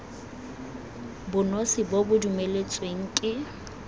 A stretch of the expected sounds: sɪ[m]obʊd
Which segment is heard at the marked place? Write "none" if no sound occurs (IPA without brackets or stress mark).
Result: b